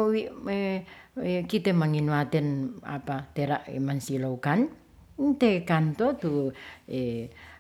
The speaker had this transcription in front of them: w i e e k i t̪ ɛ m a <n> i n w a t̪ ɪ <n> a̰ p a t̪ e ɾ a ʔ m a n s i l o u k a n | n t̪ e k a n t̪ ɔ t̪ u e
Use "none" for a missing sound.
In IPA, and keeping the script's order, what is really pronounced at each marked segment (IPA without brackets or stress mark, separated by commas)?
ŋ, n